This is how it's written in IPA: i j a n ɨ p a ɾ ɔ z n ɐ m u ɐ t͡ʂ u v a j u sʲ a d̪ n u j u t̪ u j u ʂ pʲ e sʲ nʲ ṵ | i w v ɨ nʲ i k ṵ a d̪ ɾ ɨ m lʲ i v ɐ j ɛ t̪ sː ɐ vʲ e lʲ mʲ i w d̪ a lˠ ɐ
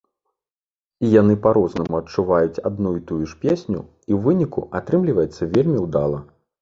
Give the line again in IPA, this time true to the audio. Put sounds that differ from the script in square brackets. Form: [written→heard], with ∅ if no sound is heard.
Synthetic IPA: i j a n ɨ p a ɾ ɔ z n ɐ m u ɐ t͡ʂ u v a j u [sʲ→t͡sʲ] a d̪ n u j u t̪ u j u ʂ pʲ e sʲ nʲ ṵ | i w v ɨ nʲ i k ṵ a [d̪→t̪] ɾ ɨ m lʲ i v ɐ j ɛ t̪ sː ɐ vʲ e lʲ mʲ i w d̪ a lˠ ɐ